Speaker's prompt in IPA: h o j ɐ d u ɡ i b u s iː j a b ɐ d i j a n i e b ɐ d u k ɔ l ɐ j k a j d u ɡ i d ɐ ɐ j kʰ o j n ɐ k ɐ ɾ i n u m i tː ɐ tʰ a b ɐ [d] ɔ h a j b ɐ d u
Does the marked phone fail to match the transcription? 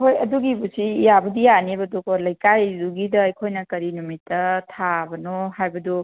yes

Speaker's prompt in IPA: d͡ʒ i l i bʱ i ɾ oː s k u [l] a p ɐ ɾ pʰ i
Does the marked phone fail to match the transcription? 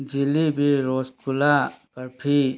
no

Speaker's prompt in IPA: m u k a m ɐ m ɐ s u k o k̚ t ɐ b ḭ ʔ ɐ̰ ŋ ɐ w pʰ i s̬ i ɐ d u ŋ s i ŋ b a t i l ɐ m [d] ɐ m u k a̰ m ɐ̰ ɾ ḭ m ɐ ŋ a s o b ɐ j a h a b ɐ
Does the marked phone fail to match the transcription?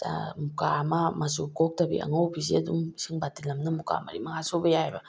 yes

